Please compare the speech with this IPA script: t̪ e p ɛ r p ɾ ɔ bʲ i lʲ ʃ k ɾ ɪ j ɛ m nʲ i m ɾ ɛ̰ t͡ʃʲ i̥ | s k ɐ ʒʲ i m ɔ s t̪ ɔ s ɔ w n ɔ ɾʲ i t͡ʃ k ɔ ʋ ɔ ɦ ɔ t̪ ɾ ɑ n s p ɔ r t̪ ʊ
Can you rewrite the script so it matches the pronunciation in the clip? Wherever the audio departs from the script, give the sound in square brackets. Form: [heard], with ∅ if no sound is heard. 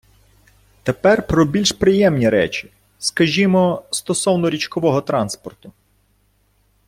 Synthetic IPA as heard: t̪ e p ɛ r p ɾ ɔ bʲ i lʲ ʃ [p] ɾ ɪ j ɛ m nʲ i [∅] ɾ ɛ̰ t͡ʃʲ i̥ | s k ɐ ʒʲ i m ɔ s t̪ ɔ s ɔ w n ɔ ɾʲ i t͡ʃ k ɔ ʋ ɔ ɦ ɔ t̪ ɾ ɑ n s p ɔ r t̪ ʊ